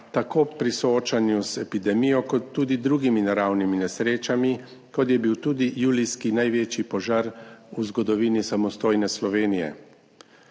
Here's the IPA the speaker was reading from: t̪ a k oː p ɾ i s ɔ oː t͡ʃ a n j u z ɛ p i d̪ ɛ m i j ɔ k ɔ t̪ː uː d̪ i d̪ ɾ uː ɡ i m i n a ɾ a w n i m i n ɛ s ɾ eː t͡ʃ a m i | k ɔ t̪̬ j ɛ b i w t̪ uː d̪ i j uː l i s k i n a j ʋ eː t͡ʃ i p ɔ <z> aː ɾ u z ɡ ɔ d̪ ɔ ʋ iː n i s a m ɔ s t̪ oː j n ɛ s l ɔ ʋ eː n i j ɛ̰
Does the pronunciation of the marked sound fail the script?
yes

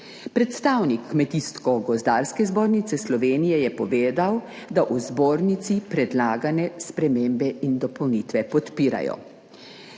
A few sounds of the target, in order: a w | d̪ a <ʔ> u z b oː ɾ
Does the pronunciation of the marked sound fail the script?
no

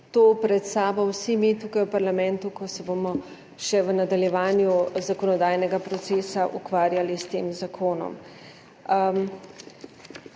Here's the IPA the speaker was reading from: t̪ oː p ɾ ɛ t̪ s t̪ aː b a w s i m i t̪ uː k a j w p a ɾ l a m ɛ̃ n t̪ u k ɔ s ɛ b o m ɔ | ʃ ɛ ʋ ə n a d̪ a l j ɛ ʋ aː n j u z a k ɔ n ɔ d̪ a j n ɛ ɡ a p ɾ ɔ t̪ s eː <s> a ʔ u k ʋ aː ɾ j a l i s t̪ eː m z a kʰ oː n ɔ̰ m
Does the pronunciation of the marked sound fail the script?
no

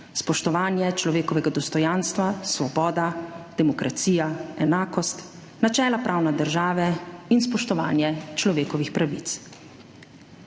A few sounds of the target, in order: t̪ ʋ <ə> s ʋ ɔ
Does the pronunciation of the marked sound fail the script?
yes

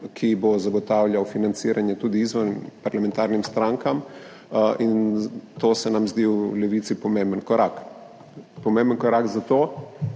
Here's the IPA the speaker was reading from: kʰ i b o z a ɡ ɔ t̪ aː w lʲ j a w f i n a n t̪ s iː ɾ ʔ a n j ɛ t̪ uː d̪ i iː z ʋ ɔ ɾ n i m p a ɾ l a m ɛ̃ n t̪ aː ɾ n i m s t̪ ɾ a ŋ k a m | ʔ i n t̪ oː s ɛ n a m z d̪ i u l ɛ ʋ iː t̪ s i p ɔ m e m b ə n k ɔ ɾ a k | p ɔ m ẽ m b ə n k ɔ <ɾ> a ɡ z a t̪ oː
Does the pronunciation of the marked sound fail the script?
no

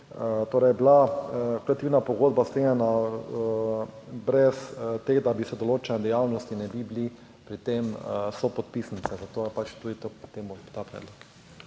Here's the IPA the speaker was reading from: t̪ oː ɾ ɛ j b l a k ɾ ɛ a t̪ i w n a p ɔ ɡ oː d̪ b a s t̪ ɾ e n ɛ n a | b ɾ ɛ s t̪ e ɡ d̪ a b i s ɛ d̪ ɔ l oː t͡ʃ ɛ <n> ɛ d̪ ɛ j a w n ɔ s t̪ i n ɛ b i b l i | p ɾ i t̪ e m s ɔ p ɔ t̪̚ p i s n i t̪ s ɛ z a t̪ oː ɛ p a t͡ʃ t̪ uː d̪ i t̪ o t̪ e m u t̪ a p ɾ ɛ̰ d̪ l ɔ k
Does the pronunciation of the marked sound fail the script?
no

